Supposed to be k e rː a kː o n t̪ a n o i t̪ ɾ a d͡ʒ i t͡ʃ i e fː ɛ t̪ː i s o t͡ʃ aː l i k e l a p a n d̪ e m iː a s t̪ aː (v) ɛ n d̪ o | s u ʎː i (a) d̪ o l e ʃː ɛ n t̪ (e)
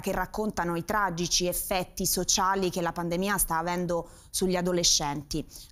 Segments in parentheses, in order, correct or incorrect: correct, correct, incorrect: i

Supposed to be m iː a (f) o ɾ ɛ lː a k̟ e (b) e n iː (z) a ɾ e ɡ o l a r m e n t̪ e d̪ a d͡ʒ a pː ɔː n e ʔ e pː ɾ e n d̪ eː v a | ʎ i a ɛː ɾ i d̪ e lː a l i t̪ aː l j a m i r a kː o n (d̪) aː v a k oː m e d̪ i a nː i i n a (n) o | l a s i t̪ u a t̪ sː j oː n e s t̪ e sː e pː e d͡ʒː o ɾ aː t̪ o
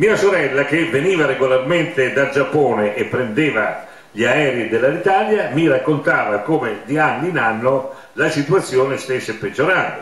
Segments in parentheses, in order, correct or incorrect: incorrect: s, incorrect: v, incorrect: v, incorrect: t̪, incorrect: nː

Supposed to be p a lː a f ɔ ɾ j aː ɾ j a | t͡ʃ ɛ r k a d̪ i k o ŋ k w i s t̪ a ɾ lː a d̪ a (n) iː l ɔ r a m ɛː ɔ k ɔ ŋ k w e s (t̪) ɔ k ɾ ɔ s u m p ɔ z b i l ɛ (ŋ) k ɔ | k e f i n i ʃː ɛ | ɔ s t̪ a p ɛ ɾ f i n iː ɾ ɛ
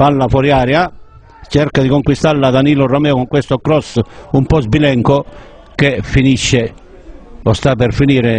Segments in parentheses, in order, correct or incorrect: correct, correct, correct

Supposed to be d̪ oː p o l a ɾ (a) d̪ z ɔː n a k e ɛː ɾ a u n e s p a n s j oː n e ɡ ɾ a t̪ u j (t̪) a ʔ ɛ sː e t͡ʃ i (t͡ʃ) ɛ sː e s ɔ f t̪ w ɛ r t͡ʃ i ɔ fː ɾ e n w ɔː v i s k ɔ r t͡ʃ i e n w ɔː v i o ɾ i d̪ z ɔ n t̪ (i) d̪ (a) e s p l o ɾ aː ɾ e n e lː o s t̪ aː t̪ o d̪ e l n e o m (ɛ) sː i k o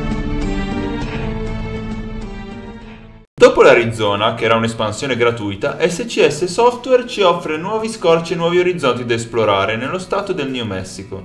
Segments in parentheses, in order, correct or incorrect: incorrect: i, correct, incorrect: none, correct, correct, correct

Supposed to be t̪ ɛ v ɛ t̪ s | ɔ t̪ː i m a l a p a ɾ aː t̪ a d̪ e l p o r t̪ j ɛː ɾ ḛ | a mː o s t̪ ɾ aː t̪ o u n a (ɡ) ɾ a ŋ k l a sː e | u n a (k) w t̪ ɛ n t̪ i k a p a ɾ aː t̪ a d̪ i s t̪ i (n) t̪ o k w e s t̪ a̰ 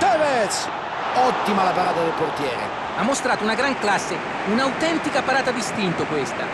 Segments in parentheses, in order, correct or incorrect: correct, incorrect: none, correct

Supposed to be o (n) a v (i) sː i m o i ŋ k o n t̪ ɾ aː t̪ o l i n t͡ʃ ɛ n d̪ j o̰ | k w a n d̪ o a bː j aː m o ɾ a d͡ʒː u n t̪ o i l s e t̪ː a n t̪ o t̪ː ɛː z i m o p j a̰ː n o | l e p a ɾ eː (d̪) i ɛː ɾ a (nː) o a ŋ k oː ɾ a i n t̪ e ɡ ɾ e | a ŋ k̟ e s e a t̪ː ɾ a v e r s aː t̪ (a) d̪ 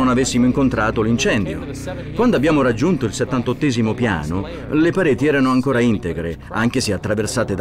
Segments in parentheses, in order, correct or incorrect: correct, incorrect: e, incorrect: t̪, incorrect: n, incorrect: e

